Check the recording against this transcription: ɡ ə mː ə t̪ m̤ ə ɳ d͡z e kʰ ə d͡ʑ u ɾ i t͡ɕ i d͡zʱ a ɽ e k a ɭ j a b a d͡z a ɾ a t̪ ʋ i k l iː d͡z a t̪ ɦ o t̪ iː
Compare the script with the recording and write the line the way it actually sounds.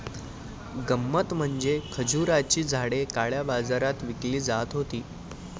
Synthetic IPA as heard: ɡ ə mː ə t̪ m̤ ə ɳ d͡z e kʰ ə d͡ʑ u ɾ a t͡ɕ iː d͡zʱ a ɽ e k a ɭ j a b a d͡z a ɾ a t̪ ʋ i k l iː d͡z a t̪ ɦ o t̪ iː

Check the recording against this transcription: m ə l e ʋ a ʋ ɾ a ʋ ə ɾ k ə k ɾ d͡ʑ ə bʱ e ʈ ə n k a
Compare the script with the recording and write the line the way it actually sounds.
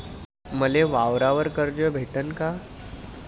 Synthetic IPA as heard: m ə l e ʋ a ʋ ɾ a ʋ ə ɾ k ə ɾ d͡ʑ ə bʱ e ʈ ə n k a

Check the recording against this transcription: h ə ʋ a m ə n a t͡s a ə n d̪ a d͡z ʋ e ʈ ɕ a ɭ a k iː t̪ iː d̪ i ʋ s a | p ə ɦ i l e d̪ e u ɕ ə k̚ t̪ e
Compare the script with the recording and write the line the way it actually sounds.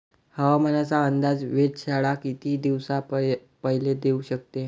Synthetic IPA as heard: h ə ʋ a m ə n a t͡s a ə n d̪ a d͡z ʋ e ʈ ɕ a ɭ a k i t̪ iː d̪ i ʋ s a | p ə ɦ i l e d̪ e u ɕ ə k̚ t̪ e

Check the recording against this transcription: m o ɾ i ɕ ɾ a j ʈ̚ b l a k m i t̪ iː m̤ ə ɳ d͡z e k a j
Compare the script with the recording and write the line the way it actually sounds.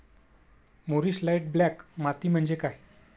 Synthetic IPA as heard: m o ɾ i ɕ l a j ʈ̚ b l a k m a t̪ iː m̤ ə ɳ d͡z e k a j

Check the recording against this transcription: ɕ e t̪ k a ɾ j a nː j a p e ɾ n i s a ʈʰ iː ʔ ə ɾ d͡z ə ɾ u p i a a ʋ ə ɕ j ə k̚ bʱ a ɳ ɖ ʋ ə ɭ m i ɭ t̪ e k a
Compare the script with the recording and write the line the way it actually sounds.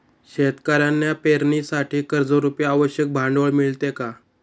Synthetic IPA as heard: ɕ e t̪ k a ɾ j a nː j a p e ɾ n i s a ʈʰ iː k ə ɾ d͡z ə ɾ u p j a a ʋ ə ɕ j ə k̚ bʱ a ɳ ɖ ʋ ə ɭ m i ɭ t̪ e k a

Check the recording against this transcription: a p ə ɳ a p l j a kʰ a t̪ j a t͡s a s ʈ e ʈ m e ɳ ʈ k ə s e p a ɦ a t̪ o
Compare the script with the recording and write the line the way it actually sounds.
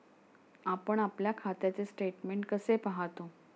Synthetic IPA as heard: a p ə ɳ a p l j a kʰ a t̪ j a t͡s e s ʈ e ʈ m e ɳ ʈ k ə s e p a ɦ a t̪ o

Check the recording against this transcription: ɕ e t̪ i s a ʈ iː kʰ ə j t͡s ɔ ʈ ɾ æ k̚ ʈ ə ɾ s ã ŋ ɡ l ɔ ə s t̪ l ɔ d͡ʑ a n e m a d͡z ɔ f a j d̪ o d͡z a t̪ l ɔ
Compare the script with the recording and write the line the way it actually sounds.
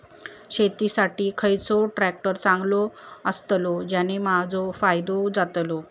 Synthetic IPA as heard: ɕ e t̪ i s a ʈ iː kʰ ə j t͡s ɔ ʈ ɾ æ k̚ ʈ ə ɾ t͡s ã ŋ ɡ l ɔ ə s t̪ l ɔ d͡ʑ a n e m a d͡z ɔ f a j d̪ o d͡z a t̪ l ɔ

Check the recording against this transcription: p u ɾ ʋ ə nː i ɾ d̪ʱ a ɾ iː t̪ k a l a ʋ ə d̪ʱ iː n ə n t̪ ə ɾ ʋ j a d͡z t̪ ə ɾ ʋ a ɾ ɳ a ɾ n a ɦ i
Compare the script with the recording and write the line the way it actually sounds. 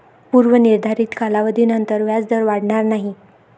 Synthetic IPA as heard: p u ɾ ʋ ə n i ɾ d̪ʱ a ɾ iː t̪ k a l a ʋ ə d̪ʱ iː n ə n t̪ ə ɾ ʋ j a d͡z d̪ ə ɾ ʋ a ɽ ɳ a ɾ n a ɦ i

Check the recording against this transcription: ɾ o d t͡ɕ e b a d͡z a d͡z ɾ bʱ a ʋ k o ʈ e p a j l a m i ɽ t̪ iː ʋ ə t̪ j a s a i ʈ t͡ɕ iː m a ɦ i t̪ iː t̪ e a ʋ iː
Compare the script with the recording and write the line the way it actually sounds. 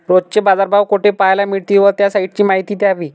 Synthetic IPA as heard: ɾ o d t͡ɕ e b a d͡z a ɾ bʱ a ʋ k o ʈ e p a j l a m i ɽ t̪ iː ʋ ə t̪ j a s a i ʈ t͡ɕ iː m a ɦ i t̪ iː t̪ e a ʋ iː

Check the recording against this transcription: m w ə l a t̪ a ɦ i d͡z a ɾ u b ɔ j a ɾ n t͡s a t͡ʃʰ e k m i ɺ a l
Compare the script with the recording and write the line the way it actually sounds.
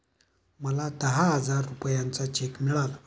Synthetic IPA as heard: m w a l a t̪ a ɦ a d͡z a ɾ u p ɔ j a n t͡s a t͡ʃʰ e k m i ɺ a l

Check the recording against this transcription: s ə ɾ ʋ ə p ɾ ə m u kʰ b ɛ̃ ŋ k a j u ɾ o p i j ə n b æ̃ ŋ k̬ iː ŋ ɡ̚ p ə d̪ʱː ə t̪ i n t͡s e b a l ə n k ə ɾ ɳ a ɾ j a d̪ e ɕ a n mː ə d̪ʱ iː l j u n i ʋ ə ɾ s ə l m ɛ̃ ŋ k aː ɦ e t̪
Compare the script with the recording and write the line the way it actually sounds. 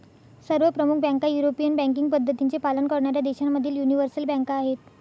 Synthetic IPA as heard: s ə ɾ ʋ ə p ɾ ə m u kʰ b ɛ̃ ŋ k a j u ɾ o p i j ə n b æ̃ ŋ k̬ i ŋ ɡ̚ p ə d̪ʱː ə t̪ i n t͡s e p a l ə n k ə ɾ ɳ a ɾ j a d̪ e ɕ a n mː ə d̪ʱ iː l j u n i ʋ ə ɾ s ə l b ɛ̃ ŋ k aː ɦ e t̪

